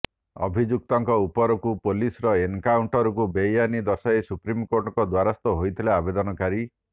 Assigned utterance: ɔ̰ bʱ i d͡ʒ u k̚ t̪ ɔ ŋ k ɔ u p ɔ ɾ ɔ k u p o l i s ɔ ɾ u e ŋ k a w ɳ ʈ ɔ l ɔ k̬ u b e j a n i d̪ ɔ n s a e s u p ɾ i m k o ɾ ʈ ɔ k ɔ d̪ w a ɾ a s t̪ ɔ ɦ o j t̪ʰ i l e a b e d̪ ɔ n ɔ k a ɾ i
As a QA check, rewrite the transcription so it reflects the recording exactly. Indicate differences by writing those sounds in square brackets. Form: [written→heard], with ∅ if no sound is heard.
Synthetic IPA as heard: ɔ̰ bʱ i d͡ʒ u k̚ t̪ ɔ ŋ k ɔ u p ɔ ɾ ɔ k u p o l i s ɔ ɾ [u→ɔ] e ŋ k a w ɳ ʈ ɔ [l→ɾ] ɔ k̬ u b e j a n i d̪ ɔ [n→∅] s a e s u p ɾ i m k o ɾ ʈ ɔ k ɔ d̪ w a ɾ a s t̪ ɔ ɦ o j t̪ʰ i l e a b e d̪ ɔ n ɔ k a ɾ i